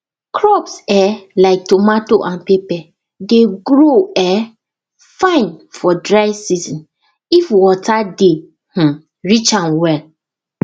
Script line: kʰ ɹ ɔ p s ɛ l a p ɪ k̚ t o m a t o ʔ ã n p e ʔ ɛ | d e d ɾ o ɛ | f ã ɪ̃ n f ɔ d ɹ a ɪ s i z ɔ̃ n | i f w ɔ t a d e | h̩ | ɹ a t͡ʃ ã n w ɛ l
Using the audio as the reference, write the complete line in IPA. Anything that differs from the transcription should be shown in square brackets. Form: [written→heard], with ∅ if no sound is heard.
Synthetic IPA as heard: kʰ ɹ ɔ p s ɛ l a [p→∅] ɪ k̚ t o m a t o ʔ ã n p e [ʔ→p] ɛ | d e [d→ɡ] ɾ o ɛ | f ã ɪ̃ n f ɔ d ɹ a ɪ s i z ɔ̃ n | i f w ɔ t a d e | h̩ | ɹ [a→i] t͡ʃ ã n w ɛ l